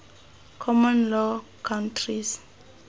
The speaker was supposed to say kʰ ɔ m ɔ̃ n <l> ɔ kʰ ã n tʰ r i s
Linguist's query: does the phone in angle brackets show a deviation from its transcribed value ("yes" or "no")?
no